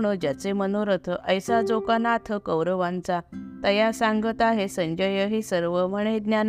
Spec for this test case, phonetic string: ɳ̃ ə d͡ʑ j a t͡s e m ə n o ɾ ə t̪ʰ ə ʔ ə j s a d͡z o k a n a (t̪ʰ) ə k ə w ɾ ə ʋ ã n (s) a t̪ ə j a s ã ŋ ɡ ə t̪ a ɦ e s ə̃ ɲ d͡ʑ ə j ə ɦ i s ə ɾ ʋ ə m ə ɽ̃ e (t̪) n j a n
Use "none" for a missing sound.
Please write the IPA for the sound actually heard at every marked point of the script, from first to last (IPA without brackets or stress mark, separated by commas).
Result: t̪ʰ, t͡s, d̪